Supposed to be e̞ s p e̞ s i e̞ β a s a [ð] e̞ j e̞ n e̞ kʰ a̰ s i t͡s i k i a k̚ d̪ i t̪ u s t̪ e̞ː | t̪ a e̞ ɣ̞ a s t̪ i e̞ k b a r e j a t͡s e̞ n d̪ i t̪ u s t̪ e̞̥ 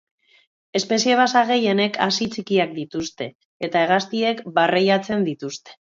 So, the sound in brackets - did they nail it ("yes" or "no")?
no